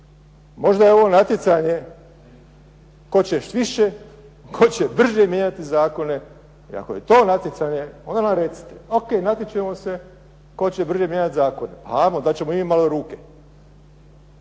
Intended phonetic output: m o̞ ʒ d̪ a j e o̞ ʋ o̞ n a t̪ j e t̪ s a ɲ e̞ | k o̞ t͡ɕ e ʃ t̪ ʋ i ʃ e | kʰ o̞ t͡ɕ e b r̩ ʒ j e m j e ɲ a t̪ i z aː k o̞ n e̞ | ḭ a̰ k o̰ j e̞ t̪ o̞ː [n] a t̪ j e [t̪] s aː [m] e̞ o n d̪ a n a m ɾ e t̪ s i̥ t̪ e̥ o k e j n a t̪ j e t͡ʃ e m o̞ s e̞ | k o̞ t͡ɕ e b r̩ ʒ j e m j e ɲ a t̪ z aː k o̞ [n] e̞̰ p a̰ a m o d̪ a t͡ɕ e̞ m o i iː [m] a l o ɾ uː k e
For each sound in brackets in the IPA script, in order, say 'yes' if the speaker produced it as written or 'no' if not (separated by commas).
yes, yes, no, yes, yes